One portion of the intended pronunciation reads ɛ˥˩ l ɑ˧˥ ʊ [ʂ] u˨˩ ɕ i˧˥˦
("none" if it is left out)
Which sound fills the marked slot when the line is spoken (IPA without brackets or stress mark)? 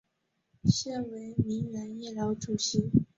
ʈ͡ʂ